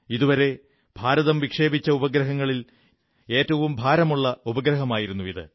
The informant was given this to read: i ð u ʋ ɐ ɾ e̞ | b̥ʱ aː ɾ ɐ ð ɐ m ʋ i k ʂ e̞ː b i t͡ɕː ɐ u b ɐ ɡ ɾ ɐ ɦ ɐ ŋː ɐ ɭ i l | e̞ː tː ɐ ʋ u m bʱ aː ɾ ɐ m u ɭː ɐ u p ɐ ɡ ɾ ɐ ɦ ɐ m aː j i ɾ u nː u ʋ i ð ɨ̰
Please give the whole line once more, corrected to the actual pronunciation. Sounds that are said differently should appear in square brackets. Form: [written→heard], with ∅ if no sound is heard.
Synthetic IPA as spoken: i ð u ʋ ɐ ɾ e̞ | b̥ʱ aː ɾ ɐ ð ɐ m ʋ i k ʂ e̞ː b i t͡ɕː ɐ u b ɐ ɡ ɾ ɐ ɦ ɐ ŋː ɐ ɭ i l | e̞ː tː ɐ ʋ u m bʱ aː ɾ ɐ m u ɭː ɐ u [p→b] ɐ ɡ ɾ ɐ ɦ ɐ m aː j i ɾ u nː u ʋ i ð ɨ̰